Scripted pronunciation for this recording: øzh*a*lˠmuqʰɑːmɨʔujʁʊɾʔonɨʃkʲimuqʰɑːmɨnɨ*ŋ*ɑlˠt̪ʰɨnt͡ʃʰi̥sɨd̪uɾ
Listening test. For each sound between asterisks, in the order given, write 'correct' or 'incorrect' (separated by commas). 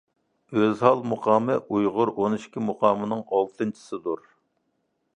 incorrect, correct